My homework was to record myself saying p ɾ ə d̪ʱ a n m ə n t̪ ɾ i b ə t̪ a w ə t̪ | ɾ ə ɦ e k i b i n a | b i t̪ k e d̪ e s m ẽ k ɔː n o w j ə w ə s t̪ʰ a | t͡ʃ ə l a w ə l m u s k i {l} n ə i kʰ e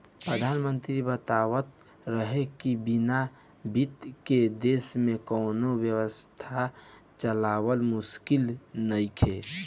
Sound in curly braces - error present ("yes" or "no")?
no